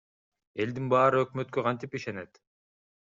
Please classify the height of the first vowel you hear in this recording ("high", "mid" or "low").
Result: mid